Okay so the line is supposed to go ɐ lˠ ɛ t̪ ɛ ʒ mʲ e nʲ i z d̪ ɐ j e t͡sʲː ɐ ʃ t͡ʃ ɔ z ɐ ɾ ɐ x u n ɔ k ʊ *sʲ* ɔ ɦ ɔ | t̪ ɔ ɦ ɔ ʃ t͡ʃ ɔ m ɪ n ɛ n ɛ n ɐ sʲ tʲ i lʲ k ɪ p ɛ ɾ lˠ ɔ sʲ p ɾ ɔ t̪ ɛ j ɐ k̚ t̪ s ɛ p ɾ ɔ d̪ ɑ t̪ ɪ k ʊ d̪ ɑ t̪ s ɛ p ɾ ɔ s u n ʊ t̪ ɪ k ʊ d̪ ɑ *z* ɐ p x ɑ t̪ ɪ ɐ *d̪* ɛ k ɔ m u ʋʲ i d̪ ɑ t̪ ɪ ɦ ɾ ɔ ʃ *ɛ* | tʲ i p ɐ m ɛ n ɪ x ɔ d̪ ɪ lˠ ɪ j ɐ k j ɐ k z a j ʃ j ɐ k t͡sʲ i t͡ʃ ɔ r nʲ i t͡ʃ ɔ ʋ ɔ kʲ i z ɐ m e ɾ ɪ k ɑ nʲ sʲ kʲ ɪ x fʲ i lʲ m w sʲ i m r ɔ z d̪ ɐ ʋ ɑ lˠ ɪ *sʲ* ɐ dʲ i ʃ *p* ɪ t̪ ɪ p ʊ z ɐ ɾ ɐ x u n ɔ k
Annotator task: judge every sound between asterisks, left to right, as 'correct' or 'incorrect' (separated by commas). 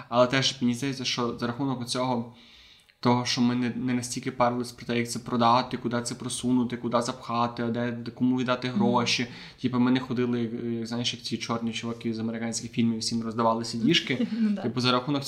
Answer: incorrect, correct, correct, incorrect, correct, incorrect